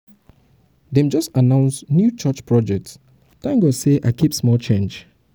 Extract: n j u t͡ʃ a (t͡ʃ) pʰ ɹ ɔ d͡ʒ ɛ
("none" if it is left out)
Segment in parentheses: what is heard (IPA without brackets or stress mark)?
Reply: t͡ʃ